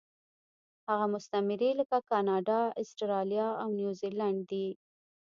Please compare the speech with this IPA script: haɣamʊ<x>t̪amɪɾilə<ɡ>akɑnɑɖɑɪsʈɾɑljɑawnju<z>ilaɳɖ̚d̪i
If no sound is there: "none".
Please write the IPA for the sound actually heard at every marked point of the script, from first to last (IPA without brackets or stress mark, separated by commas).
s, k, z